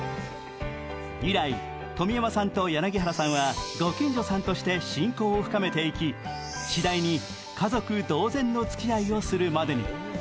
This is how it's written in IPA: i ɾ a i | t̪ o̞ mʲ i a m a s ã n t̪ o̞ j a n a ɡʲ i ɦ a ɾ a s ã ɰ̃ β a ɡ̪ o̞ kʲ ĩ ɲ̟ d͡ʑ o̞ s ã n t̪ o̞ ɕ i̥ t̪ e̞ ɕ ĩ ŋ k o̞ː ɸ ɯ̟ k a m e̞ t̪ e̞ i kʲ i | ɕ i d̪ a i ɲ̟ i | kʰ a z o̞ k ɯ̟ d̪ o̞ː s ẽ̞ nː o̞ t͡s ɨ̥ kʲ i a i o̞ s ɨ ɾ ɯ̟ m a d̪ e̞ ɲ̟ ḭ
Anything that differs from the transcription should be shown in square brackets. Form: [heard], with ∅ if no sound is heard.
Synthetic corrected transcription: i ɾ a i | t̪ o̞ mʲ i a m a s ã n t̪ o̞ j a n a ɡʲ i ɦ a ɾ a s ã ɰ̃ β a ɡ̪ o̞ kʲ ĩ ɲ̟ d͡ʑ o̞ s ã n t̪ o̞ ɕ i̥ t̪ e̞ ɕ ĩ ŋ k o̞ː ɸ ɯ̟ k a m e̞ t̪ e̞ i kʲ i | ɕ i d̪ a i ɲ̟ i | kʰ a z o̞ k ɯ̟ d̪ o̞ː [z] ẽ̞ nː o̞ t͡s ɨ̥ kʲ i a i o̞ s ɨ ɾ ɯ̟ m a d̪ e̞ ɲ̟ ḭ